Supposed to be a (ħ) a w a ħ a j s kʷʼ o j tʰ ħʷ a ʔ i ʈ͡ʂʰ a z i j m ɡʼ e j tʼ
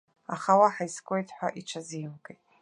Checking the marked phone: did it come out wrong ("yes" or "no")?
yes